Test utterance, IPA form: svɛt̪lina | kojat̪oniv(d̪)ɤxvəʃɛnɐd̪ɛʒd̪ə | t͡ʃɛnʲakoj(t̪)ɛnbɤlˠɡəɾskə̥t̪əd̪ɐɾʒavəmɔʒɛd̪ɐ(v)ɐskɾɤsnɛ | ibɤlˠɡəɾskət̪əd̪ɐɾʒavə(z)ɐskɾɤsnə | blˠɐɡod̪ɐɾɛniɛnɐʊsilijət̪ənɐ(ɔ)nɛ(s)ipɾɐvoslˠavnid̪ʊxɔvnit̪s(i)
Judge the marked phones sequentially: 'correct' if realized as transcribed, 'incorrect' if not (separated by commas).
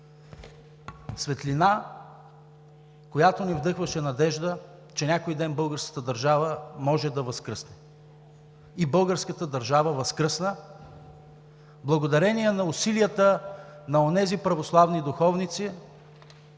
correct, incorrect, correct, incorrect, incorrect, incorrect, correct